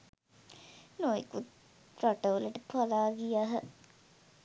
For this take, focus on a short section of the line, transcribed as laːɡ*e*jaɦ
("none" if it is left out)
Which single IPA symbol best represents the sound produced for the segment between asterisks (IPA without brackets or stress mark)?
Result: i